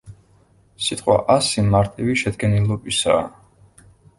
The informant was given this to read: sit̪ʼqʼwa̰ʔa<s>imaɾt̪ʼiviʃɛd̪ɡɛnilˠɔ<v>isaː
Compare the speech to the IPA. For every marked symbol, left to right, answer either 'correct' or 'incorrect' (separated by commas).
correct, incorrect